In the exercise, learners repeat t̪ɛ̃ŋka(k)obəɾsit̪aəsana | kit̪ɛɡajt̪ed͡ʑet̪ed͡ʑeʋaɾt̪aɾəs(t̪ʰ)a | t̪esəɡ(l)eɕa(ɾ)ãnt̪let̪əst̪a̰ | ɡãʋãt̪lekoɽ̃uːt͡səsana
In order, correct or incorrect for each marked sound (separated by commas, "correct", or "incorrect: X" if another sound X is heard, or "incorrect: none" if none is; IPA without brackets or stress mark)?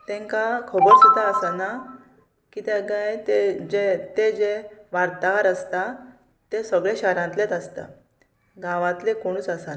incorrect: kʰ, incorrect: t̪, incorrect: ɭ, correct